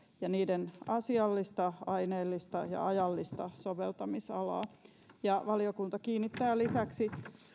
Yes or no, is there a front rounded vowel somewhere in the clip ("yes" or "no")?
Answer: no